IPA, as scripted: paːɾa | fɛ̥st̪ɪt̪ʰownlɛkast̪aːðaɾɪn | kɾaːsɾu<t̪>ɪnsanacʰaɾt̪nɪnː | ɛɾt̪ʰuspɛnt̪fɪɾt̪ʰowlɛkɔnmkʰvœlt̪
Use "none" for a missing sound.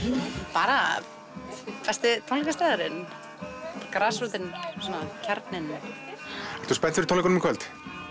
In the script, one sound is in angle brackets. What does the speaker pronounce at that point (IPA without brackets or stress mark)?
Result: t̪